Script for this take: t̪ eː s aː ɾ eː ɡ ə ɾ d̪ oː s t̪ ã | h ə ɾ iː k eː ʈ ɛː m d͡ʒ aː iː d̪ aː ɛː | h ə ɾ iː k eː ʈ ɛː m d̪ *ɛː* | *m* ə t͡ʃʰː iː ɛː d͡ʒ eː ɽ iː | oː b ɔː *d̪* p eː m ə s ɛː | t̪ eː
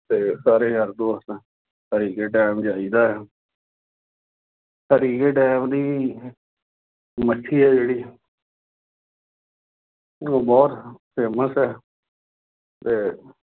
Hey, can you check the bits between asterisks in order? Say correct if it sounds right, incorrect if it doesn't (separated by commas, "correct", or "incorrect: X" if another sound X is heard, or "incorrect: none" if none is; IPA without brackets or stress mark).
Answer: incorrect: iː, correct, incorrect: t̪